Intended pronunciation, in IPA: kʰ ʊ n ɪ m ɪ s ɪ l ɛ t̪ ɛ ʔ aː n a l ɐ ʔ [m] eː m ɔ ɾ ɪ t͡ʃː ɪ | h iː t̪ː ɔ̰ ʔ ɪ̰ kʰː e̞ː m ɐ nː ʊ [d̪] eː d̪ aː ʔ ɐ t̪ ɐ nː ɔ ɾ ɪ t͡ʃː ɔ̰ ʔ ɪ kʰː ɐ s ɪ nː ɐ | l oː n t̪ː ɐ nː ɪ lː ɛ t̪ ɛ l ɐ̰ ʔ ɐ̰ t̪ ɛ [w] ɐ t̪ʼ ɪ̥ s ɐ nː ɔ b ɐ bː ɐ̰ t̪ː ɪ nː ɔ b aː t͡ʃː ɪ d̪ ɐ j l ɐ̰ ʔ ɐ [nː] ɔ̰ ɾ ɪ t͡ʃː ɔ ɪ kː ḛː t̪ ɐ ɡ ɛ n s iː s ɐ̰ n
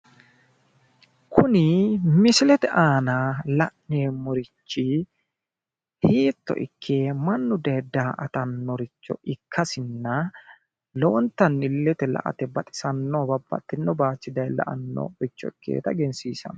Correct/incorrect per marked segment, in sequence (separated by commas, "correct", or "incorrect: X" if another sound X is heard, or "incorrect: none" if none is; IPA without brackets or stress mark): incorrect: n, correct, incorrect: b, correct